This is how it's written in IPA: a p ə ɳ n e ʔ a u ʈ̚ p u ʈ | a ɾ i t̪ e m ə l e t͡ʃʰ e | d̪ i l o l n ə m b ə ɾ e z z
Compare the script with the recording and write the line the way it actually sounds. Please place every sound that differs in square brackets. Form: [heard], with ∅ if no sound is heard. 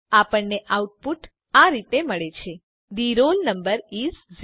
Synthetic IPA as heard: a p ə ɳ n e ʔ a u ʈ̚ p u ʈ | a ɾ i t̪ e m ə [ɭ] e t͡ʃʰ e | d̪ i [ɾ] o l n ə m b ə ɾ [i] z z

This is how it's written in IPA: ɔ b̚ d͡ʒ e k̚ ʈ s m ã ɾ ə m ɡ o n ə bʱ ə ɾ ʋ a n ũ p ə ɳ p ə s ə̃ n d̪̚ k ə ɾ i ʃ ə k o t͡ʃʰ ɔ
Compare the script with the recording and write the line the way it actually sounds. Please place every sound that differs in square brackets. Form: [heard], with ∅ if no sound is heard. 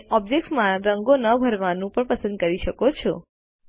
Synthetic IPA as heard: ɔ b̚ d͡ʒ e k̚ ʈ s m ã ɾ ə [ŋ] ɡ o n ə bʱ ə ɾ ʋ a n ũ p ə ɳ p ə s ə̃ n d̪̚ k ə ɾ i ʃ ə k o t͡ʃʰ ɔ

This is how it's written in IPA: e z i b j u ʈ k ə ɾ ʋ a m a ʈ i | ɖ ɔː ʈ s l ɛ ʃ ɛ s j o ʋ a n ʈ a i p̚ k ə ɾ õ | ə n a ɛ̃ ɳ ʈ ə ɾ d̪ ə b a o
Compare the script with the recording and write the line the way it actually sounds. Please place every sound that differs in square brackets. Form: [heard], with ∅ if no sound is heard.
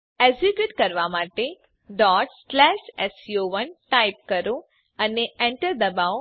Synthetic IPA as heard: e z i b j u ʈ k ə ɾ ʋ a m a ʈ [e] | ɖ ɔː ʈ s l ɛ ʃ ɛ s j o ʋ [ə] n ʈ a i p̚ k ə ɾ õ | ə n [e] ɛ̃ ɳ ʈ ə ɾ d̪ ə b a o

